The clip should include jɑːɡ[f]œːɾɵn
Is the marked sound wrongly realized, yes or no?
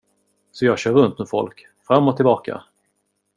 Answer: yes